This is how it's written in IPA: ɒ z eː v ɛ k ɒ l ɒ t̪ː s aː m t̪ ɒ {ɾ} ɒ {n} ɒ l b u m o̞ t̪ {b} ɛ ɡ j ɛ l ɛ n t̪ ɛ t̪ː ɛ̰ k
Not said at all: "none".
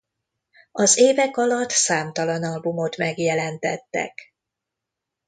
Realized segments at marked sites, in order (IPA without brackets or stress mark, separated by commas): l, n, m